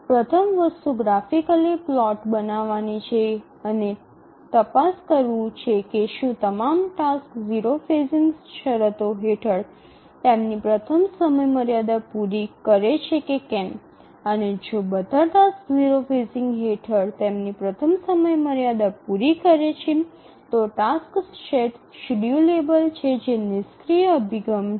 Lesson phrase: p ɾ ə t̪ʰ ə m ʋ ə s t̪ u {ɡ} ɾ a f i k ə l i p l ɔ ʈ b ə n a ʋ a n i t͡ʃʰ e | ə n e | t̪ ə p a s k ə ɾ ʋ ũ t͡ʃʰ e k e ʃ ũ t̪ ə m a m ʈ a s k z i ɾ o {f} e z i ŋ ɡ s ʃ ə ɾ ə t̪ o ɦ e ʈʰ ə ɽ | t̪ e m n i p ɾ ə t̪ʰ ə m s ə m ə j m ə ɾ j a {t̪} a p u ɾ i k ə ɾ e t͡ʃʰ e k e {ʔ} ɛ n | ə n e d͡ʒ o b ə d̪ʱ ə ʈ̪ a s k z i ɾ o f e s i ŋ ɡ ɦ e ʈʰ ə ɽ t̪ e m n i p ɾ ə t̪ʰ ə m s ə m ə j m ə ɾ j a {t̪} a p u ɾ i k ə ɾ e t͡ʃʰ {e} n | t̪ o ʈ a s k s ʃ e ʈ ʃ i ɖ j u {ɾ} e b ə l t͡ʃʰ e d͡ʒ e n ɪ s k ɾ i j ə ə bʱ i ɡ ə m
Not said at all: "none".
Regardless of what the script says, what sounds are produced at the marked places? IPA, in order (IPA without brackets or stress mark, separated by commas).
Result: ɡ, f, d̪, k, d̪, i, l